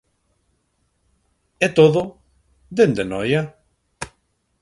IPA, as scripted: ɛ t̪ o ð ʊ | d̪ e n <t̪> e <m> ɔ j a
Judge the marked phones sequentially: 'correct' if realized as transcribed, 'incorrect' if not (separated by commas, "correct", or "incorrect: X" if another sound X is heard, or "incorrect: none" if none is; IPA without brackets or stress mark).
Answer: incorrect: d̪, incorrect: n